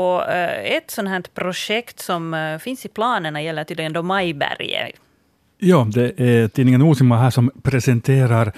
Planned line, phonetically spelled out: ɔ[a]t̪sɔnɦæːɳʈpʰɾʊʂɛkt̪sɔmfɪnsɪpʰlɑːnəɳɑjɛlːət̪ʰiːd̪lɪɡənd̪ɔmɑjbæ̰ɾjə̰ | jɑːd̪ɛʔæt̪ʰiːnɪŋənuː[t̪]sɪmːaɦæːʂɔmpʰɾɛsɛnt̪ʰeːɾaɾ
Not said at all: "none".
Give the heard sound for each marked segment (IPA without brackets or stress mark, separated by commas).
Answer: ɛ, none